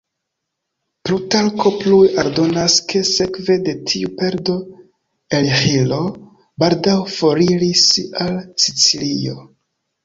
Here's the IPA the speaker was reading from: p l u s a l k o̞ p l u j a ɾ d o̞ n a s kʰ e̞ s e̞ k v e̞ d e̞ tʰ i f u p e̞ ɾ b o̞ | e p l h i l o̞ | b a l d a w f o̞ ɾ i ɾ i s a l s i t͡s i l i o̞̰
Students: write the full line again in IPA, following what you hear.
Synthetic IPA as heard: p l u t a l k o̞ p l u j a ɾ d o̞ n a s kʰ e̞ s e̞ k v e̞ d e̞ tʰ i u p e̞ ɾ d o̞ | e l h i l o̞ | b a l d a w f o̞ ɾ i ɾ i s a l s i t͡s i l i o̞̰